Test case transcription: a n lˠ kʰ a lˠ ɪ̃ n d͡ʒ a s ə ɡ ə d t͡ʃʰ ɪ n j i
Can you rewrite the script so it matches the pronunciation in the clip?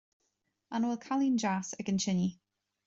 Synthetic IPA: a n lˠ kʰ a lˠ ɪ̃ n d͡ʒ a s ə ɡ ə n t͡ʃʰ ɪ n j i